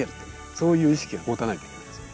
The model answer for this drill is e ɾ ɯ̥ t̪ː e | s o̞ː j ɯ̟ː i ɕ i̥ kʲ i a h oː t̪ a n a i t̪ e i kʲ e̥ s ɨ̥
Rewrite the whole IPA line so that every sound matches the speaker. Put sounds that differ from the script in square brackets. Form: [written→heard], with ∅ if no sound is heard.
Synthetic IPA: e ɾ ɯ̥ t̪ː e | s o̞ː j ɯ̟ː i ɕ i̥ kʲ i a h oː t̪ a n a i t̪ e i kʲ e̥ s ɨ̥